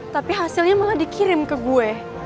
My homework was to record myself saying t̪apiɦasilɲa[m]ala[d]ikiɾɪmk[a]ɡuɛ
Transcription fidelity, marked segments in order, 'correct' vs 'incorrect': correct, correct, incorrect

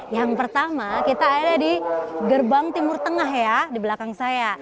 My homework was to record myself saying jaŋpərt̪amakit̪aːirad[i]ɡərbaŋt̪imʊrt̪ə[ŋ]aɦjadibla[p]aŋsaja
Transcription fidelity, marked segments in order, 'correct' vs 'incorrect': correct, correct, incorrect

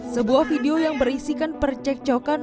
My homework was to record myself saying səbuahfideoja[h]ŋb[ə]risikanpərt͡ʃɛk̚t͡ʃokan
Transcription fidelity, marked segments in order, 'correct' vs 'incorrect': incorrect, correct

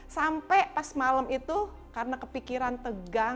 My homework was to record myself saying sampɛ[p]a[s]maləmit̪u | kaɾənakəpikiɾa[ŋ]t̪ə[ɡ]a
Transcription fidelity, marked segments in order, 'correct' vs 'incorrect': correct, correct, incorrect, correct

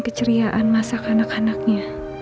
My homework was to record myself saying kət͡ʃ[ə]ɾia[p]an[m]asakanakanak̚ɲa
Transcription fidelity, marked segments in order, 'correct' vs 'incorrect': correct, incorrect, correct

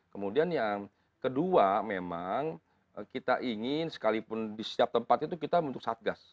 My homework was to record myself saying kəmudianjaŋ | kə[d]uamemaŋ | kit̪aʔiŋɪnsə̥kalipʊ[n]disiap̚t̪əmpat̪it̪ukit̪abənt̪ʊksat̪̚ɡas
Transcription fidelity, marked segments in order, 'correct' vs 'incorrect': correct, correct

